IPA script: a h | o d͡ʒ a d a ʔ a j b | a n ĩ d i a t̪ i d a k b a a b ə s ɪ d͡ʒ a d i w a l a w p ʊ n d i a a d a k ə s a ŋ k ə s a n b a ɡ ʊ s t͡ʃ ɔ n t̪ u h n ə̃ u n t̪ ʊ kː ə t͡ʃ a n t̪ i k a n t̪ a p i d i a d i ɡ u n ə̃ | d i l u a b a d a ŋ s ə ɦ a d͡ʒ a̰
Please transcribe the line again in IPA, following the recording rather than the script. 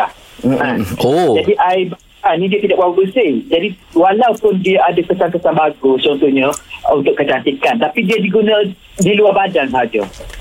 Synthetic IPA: a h | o d͡ʒ a d i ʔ a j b | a n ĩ d i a t̪ i d a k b a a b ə s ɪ d͡ʒ a d i w a l a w p ʊ n d i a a d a k ə s a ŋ k ə s a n b a ɡ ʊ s t͡ʃ ɔ n t̪ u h ɲ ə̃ u n t̪ ʊ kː ə t͡ʃ a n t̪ i k a n t̪ a p i d i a d i ɡ u n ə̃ | d i l u a b a d a ŋ s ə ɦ a d͡ʒ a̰